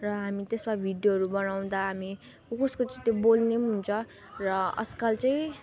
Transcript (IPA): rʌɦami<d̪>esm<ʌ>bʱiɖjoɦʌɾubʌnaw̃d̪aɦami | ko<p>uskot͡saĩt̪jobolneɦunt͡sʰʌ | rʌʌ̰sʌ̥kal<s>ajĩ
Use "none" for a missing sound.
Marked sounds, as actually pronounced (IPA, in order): t̪, a, k, t͡s

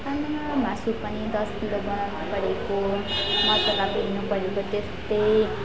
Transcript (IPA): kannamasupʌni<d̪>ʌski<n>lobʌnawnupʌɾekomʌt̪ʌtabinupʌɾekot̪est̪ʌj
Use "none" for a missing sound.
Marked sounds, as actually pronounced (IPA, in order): d̪, none

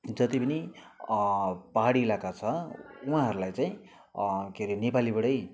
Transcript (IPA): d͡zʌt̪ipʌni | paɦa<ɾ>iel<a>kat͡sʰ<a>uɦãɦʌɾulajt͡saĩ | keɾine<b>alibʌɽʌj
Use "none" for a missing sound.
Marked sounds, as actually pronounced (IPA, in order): ɽ, a, ʌ, p

